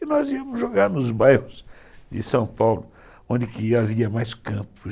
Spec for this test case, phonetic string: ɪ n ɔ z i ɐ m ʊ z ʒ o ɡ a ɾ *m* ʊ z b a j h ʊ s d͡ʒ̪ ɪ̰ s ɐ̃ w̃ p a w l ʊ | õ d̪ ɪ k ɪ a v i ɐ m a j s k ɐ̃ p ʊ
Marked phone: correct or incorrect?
incorrect